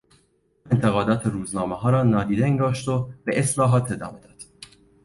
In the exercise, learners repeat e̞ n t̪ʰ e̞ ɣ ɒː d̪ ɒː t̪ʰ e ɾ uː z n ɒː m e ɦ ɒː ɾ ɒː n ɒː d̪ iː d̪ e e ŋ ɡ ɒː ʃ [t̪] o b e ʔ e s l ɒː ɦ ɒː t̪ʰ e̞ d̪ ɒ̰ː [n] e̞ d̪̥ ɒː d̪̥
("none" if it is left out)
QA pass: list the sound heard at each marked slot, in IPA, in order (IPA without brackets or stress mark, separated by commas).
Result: t̪, m